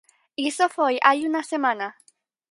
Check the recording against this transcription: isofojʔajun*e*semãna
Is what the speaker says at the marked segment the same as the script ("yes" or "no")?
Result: no